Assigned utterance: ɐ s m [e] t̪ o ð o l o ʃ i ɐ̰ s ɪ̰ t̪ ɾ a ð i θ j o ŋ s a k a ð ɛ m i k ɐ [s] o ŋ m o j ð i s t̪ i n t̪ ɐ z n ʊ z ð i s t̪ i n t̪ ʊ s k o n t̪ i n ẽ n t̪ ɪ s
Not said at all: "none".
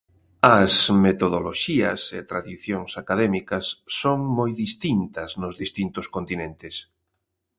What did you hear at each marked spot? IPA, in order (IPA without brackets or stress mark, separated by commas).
e, sː